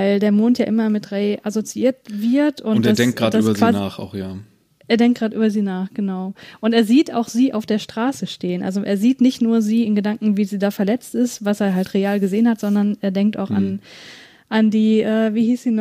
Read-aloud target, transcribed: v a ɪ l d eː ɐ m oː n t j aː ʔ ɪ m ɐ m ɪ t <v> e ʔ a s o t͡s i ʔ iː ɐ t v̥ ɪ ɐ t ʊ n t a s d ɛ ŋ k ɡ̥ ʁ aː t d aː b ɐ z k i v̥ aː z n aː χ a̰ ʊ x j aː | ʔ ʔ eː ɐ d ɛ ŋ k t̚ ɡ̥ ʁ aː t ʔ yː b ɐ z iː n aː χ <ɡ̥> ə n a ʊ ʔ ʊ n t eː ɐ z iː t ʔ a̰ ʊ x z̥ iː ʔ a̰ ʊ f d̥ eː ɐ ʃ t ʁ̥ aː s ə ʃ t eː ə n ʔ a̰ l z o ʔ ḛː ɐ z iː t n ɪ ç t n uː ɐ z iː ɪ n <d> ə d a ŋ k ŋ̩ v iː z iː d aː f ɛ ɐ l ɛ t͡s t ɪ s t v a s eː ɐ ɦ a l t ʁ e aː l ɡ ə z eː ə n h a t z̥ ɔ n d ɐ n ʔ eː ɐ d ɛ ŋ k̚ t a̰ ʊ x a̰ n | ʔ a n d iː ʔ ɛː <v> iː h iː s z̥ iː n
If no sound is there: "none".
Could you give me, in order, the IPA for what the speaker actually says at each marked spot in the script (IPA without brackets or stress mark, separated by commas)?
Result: ʁ, ɡ̥, ɡ, v